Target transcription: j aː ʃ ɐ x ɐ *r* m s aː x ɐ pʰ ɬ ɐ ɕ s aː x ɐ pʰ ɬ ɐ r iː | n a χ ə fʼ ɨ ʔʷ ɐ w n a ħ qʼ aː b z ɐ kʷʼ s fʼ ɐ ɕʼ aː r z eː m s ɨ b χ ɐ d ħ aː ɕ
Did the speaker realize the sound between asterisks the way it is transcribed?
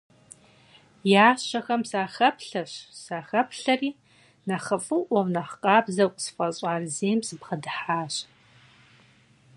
no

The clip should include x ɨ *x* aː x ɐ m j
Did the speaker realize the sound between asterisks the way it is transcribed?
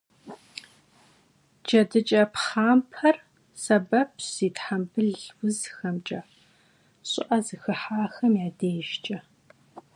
no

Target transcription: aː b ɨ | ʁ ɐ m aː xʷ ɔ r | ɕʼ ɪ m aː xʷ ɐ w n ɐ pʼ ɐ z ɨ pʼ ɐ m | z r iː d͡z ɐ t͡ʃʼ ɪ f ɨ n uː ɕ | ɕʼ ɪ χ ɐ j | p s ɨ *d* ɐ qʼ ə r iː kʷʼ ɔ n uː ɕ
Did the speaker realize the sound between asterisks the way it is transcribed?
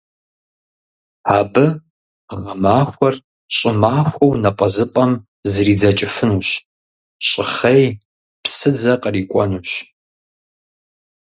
no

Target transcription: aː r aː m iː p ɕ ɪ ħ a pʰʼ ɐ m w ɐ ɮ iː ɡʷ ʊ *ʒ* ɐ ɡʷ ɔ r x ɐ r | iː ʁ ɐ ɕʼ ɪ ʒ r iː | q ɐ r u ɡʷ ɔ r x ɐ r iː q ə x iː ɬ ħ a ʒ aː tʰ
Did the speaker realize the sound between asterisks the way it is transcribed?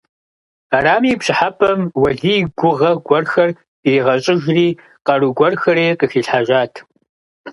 no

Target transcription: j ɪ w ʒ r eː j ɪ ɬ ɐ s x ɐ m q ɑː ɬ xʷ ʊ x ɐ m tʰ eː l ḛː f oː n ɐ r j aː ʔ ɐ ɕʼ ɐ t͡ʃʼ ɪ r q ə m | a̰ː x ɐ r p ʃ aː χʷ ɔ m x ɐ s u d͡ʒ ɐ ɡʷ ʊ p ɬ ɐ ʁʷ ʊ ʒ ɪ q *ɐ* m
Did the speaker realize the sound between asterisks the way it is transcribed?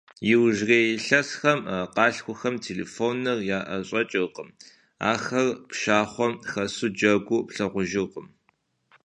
no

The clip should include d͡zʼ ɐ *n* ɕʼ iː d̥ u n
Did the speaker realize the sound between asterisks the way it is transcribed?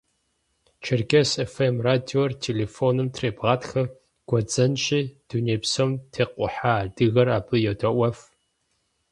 yes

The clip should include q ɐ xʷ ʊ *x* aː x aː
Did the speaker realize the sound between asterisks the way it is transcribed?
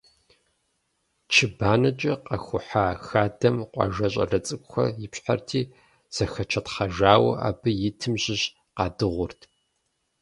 no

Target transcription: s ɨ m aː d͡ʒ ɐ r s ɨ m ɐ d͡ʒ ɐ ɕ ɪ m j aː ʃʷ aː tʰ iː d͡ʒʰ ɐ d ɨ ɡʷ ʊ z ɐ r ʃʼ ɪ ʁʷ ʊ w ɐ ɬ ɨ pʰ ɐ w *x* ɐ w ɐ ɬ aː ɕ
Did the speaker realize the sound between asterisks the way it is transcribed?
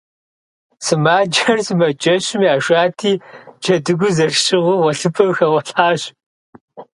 yes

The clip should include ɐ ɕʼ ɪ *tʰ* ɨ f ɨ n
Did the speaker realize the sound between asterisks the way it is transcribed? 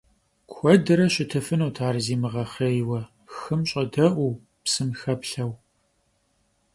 yes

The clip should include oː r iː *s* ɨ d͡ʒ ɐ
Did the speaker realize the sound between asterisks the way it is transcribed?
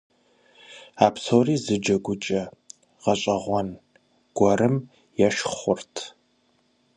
no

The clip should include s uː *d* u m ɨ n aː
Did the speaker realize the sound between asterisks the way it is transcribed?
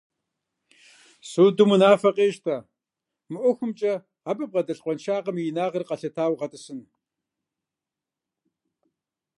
yes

